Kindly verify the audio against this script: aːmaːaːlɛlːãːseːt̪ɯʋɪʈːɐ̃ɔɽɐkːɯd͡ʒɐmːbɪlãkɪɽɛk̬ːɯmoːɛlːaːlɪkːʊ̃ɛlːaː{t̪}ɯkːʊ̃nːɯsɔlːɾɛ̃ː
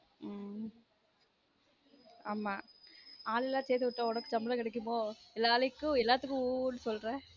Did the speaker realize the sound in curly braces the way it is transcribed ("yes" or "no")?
yes